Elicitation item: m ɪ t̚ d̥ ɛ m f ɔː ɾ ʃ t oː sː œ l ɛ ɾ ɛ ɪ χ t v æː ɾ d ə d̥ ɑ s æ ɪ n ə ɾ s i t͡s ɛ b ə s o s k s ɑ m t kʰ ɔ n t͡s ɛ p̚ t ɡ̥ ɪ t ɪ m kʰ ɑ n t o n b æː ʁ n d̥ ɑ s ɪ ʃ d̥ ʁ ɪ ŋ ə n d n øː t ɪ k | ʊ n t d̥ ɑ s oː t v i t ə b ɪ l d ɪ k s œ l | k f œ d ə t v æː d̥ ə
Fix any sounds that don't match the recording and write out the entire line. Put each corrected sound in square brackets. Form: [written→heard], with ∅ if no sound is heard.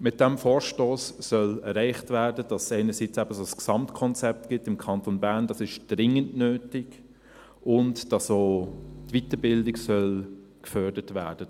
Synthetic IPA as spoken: m ɪ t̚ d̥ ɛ m f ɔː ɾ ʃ t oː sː œ l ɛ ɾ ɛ ɪ χ t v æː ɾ d ə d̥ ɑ s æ ɪ n ə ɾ s i t͡s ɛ b ə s o s k s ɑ m t kʰ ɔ n t͡s ɛ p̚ t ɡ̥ ɪ t ɪ m kʰ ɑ n t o n b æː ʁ n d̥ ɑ s ɪ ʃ d̥ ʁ ɪ ŋ ə n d n øː t ɪ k | ʊ n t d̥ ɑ s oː t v i t ə b ɪ l d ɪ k s œ l | k f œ d ə t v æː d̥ ə